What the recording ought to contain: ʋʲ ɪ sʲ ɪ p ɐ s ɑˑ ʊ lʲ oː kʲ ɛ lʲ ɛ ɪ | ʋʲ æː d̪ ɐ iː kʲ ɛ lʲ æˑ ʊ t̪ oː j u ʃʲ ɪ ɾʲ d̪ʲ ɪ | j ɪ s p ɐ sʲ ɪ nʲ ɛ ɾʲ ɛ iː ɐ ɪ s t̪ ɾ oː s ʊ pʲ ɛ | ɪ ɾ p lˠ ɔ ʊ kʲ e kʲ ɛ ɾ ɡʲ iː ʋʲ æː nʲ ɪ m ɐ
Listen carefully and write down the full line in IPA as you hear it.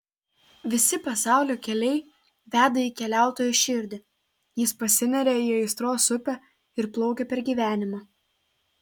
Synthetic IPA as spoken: ʋʲ ɪ sʲ ɪ p ɐ s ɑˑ ʊ lʲ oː kʲ ɛ lʲ ɛ ɪ | ʋʲ æː d̪ ɐ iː kʲ ɛ lʲ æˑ ʊ t̪ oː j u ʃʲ ɪ ɾʲ d̪ʲ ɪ | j ɪ s p ɐ sʲ ɪ nʲ ɛ ɾʲ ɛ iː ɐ ɪ s t̪ ɾ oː s ʊ pʲ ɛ | ɪ ɾ p lˠ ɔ ʊ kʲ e pʲ ɛ ɾ ɡʲ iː ʋʲ æː nʲ ɪ m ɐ

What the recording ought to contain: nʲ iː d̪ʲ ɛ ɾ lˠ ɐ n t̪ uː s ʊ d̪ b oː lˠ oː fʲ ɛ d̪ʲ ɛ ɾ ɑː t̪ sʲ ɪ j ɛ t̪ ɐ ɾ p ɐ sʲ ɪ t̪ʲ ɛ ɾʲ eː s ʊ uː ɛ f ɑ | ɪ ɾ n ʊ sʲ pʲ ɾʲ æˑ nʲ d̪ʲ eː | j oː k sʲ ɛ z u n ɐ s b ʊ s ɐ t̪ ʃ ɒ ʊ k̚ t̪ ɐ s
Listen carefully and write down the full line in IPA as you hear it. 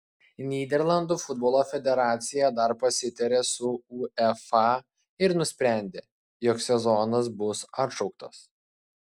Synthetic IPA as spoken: nʲ iː d̪ʲ ɛ ɾ lˠ ɐ n d̪ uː f ʊ d̪ b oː lˠ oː fʲ ɛ d̪ʲ ɛ ɾ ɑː t̪ sʲ ɪ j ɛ d̪ ɐ ɾ p ɐ sʲ ɪ t̪ʲ ɛ ɾʲ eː s ʊ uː ɛ f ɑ | ɪ ɾ n ʊ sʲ pʲ ɾʲ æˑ nʲ d̪ʲ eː | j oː k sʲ ɛ z ɔ n ɐ s b ʊ s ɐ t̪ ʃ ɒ ʊ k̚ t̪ ɐ s

